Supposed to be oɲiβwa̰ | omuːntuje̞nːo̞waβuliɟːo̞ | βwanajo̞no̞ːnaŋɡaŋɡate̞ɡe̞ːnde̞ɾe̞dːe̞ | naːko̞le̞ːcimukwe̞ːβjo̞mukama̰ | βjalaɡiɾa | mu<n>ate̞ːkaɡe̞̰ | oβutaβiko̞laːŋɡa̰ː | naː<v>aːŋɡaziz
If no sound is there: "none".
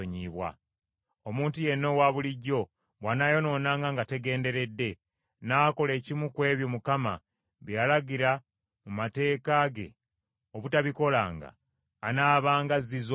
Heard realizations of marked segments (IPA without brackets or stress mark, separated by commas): m, β